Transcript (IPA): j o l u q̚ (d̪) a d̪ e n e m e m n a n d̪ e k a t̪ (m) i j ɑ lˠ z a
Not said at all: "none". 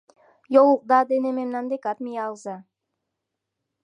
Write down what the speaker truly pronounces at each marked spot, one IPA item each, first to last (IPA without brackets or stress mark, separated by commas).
d̪, m